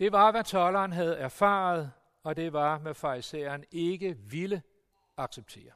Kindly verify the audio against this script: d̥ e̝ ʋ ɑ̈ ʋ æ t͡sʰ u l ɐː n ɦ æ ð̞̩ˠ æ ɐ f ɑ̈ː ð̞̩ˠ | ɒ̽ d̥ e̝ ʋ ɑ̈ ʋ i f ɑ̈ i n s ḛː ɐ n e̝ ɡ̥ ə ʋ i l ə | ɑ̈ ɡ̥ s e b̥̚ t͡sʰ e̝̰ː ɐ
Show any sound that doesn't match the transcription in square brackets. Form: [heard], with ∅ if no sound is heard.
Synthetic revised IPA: d̥ e̝ ʋ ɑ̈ ʋ æ t͡sʰ [ɒ] l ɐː n ɦ æ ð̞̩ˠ æ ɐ f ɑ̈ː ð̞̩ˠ | ɒ̽ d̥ e̝ ʋ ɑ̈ ʋ [æ] f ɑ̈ i [∅] s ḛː ɐ n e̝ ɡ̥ ə ʋ i l ə | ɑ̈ ɡ̥ s e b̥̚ t͡sʰ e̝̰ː ɐ